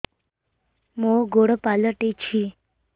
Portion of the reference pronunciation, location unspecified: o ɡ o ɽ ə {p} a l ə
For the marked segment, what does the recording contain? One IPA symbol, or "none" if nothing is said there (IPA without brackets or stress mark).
p